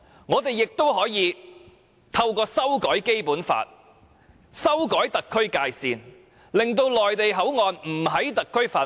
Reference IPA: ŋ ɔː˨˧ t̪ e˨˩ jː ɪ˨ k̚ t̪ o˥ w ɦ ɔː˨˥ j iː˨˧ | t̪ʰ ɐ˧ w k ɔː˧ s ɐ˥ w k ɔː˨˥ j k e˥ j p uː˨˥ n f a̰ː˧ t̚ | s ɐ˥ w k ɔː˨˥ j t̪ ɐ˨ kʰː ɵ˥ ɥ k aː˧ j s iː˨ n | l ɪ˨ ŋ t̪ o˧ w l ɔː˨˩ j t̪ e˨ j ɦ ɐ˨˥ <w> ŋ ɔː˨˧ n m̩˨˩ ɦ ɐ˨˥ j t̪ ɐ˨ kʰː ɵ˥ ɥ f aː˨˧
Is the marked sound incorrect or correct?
correct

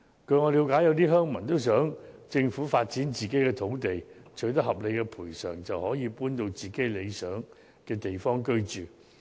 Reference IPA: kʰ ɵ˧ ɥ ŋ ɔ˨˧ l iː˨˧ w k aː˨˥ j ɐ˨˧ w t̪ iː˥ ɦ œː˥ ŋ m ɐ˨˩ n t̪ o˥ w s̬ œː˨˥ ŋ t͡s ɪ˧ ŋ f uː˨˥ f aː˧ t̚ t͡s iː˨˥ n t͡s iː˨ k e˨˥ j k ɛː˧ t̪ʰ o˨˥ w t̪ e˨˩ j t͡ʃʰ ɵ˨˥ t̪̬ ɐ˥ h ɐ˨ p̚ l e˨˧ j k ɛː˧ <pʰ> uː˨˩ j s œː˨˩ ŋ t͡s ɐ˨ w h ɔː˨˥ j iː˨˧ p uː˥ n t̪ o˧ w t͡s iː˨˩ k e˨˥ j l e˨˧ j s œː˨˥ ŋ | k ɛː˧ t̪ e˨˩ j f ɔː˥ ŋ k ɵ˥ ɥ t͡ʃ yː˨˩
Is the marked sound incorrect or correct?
correct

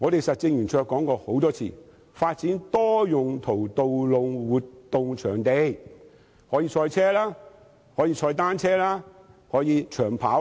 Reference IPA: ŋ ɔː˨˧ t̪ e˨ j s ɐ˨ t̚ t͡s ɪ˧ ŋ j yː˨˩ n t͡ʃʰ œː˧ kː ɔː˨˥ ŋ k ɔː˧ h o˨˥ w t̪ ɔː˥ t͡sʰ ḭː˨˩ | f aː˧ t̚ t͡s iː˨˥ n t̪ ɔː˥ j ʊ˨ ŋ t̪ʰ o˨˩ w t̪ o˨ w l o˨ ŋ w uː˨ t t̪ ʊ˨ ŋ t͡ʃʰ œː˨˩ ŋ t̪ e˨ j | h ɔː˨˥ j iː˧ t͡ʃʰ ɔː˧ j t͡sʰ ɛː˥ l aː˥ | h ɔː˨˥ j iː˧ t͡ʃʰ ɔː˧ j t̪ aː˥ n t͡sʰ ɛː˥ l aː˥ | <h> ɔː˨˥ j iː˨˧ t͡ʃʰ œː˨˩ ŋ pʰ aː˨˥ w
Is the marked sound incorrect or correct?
correct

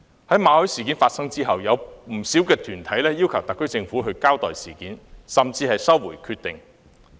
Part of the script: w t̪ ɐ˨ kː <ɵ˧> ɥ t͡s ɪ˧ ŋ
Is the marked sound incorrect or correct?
incorrect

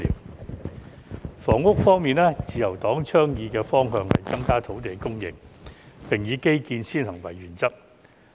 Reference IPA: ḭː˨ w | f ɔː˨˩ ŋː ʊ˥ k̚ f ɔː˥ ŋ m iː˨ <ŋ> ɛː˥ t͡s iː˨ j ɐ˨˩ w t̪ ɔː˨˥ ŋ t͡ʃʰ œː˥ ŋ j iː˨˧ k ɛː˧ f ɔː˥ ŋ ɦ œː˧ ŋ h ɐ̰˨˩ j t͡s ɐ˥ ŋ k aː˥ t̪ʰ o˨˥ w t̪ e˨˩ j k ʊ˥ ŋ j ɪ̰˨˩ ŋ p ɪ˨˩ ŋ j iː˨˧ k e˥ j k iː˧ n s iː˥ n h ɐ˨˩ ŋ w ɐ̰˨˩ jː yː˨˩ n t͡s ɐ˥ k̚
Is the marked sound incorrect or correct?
incorrect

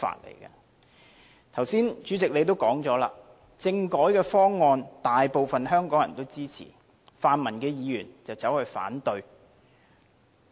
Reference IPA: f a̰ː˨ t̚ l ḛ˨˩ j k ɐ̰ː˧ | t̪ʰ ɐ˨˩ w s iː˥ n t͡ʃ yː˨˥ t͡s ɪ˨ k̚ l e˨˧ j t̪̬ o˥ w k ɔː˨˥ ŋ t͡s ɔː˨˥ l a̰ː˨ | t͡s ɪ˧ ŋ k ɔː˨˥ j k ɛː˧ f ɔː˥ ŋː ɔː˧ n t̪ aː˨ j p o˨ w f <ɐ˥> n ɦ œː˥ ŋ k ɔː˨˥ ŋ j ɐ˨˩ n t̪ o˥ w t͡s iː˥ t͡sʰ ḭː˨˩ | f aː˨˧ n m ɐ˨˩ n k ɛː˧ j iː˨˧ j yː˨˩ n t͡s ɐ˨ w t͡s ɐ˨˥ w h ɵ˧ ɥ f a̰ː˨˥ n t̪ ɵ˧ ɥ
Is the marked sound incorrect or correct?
incorrect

